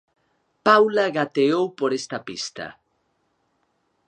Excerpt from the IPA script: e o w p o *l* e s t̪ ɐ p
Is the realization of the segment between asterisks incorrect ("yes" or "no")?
yes